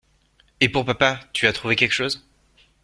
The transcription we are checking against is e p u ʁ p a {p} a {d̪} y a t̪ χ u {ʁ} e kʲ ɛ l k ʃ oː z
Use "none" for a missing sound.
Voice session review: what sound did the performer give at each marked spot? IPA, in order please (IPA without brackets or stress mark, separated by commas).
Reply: p, t̪, v